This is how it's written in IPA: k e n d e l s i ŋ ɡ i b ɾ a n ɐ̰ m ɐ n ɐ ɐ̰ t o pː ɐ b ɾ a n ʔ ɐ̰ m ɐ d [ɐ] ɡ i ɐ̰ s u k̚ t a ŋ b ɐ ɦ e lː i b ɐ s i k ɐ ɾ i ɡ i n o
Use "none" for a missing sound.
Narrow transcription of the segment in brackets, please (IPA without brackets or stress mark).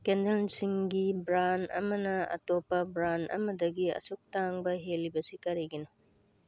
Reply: ɐ